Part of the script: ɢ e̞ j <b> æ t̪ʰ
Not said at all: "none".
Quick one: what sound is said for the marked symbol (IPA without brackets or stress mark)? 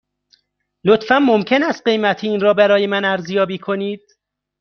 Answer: m